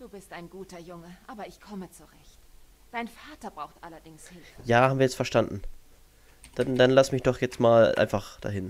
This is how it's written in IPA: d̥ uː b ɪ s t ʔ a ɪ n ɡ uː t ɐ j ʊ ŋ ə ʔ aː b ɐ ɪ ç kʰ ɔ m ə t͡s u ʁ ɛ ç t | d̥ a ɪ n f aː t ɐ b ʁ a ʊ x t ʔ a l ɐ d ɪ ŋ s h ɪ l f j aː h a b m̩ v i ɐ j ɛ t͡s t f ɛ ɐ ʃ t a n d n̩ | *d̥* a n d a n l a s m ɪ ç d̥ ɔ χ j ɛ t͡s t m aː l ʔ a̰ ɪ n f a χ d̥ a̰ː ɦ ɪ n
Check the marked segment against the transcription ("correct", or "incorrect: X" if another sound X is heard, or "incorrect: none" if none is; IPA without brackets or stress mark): correct